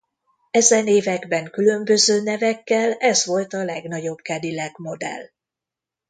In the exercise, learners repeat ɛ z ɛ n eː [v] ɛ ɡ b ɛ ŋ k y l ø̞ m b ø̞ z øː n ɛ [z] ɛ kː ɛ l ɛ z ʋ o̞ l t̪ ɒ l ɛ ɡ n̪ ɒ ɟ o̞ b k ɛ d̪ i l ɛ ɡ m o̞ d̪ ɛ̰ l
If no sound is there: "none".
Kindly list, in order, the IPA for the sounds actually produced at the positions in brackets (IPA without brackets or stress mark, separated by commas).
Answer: v, v